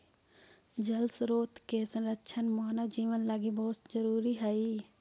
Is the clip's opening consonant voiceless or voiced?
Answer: voiced